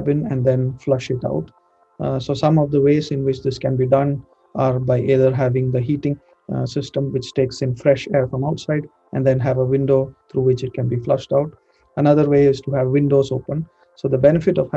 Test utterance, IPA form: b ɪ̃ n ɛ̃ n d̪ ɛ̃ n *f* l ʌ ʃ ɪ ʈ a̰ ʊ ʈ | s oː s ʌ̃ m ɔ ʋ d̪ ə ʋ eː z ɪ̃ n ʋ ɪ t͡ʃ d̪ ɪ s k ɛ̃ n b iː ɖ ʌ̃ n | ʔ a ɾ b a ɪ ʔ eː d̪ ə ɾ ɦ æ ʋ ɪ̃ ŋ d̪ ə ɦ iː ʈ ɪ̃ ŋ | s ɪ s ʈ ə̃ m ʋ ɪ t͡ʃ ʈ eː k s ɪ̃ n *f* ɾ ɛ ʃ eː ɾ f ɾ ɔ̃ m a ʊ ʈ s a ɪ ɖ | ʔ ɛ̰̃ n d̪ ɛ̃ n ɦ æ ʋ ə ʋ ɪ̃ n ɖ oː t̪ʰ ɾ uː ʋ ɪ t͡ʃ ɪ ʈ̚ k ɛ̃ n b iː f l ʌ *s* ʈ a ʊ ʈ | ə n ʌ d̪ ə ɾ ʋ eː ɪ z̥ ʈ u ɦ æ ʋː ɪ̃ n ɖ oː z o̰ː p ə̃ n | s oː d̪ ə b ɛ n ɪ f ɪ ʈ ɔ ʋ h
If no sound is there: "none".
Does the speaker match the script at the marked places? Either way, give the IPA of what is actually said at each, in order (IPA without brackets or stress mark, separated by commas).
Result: f, f, ʃ